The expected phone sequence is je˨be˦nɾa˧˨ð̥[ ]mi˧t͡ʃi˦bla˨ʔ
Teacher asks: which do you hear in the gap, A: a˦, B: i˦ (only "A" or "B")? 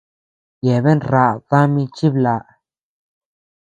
A